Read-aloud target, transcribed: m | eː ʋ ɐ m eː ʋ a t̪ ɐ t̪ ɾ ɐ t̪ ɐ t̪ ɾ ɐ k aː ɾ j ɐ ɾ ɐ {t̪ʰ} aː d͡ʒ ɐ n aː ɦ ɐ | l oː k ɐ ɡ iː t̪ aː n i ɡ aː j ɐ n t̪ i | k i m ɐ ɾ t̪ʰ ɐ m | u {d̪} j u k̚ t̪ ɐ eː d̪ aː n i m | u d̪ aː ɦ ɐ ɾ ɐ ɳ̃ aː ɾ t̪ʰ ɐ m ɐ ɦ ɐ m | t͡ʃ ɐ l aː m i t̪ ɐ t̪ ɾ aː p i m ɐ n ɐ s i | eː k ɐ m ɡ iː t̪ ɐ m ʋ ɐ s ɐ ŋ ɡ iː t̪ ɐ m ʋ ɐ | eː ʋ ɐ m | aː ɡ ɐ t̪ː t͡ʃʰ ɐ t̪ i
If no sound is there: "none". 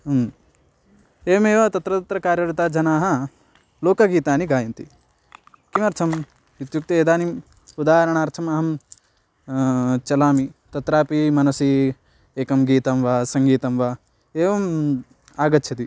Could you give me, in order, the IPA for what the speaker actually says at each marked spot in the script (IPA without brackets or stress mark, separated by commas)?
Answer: t̪, t̪